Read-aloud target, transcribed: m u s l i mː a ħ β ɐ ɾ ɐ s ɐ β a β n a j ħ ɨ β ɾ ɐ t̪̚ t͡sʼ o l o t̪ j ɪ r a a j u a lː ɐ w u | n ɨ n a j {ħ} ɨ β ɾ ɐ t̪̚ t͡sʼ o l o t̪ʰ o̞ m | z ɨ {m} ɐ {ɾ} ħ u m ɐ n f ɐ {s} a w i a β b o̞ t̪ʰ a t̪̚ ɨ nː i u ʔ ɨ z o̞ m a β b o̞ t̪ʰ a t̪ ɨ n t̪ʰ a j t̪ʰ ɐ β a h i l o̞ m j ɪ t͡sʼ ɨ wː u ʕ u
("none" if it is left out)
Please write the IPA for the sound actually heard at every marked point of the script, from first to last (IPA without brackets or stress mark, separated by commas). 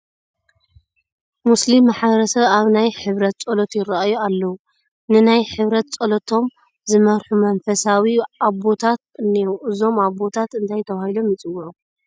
ħ, m, ɾ, s